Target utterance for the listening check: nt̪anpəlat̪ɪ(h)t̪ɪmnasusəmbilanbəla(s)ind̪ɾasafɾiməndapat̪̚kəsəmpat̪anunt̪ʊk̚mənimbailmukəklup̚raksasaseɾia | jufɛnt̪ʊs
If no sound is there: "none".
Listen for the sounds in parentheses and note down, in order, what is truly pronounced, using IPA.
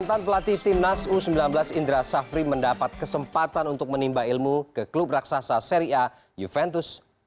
h, s

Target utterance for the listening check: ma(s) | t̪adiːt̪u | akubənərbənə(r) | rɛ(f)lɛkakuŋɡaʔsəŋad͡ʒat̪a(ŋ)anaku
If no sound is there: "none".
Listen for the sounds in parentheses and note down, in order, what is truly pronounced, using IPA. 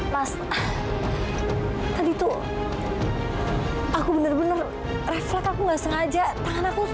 s, r, f, ŋ

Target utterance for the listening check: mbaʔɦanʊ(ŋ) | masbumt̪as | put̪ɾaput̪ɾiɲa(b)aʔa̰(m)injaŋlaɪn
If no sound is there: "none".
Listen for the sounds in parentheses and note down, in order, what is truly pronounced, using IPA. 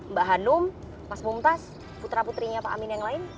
m, p, m

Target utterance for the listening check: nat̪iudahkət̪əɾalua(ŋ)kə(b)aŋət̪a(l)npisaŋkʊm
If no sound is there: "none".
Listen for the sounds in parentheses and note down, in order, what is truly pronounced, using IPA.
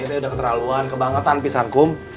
n, b, none

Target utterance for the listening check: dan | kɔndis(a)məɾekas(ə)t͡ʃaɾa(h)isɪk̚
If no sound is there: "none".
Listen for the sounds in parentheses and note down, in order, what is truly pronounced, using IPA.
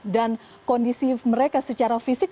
i, ə, f

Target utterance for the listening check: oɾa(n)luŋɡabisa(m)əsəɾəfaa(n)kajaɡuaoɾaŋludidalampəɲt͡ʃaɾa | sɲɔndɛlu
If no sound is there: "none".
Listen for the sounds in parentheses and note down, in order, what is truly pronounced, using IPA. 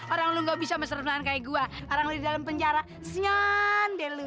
ŋ, m, n

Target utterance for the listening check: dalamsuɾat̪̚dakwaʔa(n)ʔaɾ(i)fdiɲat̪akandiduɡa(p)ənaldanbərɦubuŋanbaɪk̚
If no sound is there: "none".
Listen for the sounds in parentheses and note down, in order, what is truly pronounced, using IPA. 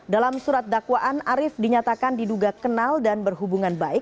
n, ɪ, k

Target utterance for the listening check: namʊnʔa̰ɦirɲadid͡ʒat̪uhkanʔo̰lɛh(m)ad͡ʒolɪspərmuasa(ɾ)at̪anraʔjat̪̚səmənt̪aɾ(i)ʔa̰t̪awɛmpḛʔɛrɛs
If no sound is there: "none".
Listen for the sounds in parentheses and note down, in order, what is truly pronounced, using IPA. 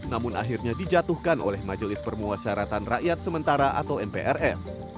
m, ɾ, a

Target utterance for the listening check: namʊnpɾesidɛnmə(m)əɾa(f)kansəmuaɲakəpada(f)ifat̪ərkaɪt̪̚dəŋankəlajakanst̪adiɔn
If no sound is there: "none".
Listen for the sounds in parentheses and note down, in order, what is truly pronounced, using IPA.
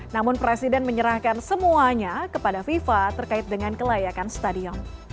ɲ, h, f

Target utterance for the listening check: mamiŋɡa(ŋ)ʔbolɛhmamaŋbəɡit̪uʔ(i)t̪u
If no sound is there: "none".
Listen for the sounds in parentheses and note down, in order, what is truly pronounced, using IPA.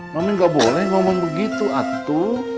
none, a

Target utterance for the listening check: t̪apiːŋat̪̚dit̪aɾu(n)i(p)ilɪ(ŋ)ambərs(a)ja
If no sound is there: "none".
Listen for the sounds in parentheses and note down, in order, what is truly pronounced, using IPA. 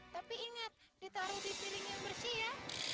d, p, ŋ, i

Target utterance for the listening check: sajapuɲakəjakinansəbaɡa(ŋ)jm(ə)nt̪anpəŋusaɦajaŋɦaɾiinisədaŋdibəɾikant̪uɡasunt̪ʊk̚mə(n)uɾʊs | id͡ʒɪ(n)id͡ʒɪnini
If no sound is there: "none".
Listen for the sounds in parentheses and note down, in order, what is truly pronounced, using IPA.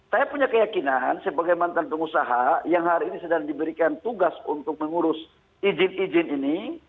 none, a, ŋ, n

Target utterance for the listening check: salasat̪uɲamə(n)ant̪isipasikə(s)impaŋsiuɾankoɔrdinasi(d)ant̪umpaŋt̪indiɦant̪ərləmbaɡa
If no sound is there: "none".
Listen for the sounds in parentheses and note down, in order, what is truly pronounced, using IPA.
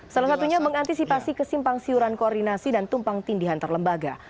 ŋ, s, d

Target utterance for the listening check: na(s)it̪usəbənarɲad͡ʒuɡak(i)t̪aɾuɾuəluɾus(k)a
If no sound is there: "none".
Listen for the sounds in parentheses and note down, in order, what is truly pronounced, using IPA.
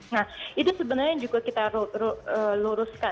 h, i, k

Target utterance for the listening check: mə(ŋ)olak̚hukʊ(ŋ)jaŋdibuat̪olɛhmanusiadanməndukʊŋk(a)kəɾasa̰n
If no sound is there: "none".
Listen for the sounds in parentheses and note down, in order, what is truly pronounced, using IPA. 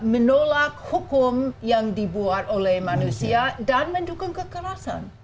n, m, ə

